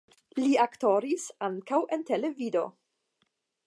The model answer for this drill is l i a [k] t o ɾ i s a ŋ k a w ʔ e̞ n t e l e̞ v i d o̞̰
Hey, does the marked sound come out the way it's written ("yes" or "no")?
yes